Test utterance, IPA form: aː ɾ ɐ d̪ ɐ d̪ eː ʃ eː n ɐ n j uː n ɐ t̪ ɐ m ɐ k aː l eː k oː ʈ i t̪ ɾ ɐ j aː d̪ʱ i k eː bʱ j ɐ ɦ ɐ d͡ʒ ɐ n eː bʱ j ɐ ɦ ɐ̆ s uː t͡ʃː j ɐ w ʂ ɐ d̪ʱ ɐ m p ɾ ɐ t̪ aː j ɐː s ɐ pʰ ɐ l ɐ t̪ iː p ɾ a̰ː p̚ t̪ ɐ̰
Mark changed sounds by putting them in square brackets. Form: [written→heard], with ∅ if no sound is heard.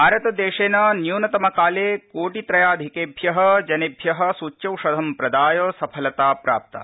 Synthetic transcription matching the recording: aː ɾ ɐ [d̪→t̪] ɐ d̪ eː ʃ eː n ɐ n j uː n ɐ t̪ ɐ m ɐ k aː l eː k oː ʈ i t̪ ɾ ɐ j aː d̪ʱ i k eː bʱ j ɐ ɦ ɐ d͡ʒ ɐ n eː bʱ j ɐ ɦ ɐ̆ s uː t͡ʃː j ɐ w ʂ ɐ d̪ʱ ɐ m p ɾ ɐ [t̪→d̪] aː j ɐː s ɐ pʰ ɐ l ɐ t̪ [iː→aː] p ɾ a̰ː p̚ t̪ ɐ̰